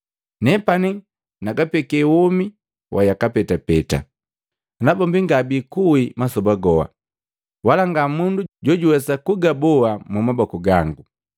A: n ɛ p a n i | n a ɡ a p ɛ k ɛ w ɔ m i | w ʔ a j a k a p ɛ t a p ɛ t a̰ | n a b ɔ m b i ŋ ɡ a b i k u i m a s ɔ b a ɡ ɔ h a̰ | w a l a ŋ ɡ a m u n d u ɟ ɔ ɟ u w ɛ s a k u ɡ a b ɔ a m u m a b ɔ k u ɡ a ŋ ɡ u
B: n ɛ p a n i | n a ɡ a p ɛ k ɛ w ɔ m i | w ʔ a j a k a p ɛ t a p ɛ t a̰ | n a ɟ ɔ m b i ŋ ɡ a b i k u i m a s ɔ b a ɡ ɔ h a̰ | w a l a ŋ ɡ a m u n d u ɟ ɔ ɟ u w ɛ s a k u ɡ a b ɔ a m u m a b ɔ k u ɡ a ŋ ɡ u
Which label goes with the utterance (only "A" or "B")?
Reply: A